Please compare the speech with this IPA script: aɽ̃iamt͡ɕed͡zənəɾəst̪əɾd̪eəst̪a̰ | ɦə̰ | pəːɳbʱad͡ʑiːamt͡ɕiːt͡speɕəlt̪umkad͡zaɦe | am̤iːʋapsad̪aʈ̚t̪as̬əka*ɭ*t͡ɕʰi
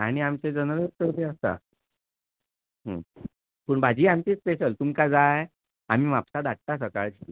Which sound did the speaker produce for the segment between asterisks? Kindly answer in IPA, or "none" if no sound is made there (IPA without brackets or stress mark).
ɭ